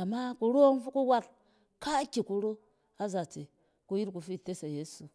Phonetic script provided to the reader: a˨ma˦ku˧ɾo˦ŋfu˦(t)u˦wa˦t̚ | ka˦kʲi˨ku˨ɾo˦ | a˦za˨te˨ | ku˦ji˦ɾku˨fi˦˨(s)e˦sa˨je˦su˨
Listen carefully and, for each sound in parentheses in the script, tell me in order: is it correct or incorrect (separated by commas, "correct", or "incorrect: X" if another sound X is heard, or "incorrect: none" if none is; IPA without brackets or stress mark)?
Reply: incorrect: k, incorrect: t